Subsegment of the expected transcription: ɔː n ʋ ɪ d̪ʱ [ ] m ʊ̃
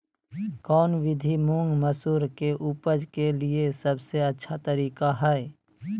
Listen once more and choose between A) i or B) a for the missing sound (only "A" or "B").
A